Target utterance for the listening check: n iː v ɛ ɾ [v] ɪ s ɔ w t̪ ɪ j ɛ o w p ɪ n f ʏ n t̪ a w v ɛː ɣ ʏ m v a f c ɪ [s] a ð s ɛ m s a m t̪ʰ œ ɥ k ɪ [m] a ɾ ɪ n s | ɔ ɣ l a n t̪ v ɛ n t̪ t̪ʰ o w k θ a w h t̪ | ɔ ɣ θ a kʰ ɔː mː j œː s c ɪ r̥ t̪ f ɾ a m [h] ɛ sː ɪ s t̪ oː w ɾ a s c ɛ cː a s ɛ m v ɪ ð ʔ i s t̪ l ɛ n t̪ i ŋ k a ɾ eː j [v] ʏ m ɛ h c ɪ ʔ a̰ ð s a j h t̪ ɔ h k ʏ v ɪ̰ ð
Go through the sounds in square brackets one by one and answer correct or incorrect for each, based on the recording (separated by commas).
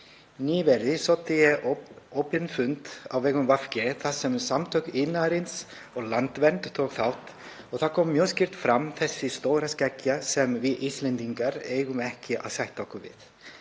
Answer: incorrect, incorrect, incorrect, incorrect, incorrect